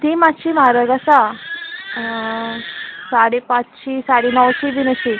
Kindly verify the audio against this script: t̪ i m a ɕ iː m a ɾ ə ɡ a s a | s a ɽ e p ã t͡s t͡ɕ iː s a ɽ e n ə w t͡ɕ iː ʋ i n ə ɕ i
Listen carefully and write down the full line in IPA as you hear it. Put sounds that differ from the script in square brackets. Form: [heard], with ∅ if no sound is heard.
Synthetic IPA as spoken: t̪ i m a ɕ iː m a ɾ ə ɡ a s a | s a ɽ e p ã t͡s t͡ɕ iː s a ɽ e n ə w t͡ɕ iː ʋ i n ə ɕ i